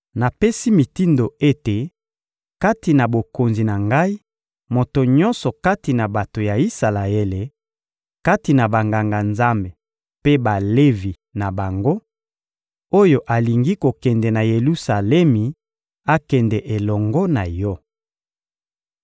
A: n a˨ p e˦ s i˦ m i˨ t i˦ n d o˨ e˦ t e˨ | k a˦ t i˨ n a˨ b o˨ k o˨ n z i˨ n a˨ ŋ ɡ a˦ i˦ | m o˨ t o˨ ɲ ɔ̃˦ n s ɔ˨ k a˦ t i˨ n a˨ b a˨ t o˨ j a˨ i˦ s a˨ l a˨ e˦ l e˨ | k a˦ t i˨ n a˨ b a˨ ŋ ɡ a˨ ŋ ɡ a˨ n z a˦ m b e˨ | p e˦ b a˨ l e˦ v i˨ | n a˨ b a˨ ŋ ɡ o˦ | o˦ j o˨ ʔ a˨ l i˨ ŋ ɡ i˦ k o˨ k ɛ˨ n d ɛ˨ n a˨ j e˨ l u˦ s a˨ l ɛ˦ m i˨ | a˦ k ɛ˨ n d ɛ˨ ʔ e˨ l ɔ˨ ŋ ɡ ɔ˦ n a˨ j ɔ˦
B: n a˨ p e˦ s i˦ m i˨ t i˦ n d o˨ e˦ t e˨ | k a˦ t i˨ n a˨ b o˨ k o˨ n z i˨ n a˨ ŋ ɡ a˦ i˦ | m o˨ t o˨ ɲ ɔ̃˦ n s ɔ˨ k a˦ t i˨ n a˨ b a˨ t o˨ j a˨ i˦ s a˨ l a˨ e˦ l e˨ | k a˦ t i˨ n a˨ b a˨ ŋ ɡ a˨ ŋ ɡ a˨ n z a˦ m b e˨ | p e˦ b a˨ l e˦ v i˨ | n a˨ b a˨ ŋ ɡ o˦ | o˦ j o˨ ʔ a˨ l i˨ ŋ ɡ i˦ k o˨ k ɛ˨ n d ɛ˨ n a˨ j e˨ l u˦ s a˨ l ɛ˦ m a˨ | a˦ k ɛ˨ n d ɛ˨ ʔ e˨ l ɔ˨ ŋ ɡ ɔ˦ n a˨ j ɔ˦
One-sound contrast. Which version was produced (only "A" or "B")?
A